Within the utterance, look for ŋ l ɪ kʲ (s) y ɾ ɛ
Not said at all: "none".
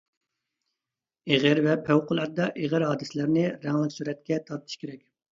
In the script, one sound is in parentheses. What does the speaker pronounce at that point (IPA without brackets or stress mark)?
s